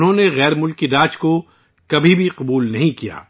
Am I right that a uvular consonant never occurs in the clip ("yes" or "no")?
no